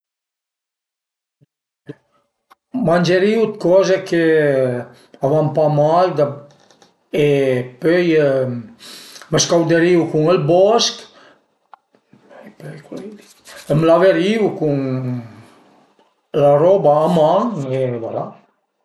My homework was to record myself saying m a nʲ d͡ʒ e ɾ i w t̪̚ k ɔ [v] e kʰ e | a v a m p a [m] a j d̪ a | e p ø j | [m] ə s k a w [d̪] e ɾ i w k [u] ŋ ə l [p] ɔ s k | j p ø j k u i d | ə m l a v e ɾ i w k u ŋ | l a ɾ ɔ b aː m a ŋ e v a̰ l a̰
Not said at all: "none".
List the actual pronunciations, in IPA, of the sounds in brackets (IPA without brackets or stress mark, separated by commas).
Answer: z, m, m, d̪, u, b